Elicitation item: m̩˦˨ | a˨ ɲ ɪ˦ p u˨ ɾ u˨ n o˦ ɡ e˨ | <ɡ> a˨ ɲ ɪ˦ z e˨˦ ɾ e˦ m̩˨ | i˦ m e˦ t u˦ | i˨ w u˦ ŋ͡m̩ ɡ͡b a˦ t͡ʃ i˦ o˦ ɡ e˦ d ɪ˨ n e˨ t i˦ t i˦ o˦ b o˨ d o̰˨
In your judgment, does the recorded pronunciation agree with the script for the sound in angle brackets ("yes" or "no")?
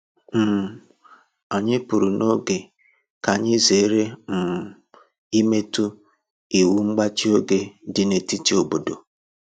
no